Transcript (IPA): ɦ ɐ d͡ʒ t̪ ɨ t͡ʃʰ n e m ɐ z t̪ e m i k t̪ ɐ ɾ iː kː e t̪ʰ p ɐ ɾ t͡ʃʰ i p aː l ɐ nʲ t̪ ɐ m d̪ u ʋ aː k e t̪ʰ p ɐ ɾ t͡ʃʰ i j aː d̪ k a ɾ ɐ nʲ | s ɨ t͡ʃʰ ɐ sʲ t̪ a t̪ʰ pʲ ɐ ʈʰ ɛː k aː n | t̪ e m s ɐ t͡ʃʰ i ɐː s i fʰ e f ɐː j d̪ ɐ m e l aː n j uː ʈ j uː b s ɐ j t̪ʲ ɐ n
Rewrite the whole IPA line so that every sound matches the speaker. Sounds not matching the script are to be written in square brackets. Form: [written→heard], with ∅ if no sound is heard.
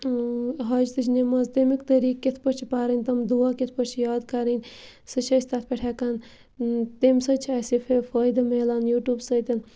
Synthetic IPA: ɦ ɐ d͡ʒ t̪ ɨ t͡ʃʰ n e m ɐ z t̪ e m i k t̪ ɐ ɾ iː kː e t̪ʰ p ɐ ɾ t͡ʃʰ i p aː [l→ɾ] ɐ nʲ t̪ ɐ m d̪ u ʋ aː k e t̪ʰ p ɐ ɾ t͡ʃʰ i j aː d̪ k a ɾ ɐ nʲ | s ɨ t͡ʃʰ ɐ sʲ t̪ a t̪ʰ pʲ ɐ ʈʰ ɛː k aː n | t̪ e m s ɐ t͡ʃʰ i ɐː s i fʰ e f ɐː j d̪ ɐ m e l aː n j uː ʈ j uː b s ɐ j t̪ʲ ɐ n

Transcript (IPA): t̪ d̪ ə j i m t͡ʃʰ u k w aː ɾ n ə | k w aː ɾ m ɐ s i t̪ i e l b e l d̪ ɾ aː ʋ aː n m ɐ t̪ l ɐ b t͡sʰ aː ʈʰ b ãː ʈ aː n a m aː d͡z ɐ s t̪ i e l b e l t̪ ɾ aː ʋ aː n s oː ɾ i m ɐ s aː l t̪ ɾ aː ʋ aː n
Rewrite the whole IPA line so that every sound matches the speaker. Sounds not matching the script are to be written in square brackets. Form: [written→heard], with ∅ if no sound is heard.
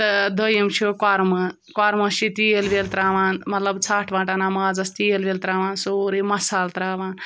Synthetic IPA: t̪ d̪ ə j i m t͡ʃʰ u k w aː ɾ [n→m] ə | k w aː ɾ m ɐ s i t̪ i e l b e l [d̪→t̪] ɾ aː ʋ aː n m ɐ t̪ l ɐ b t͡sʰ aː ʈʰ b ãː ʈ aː n a m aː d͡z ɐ s t̪ i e l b e l t̪ ɾ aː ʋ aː n s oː ɾ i m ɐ s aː l t̪ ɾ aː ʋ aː n

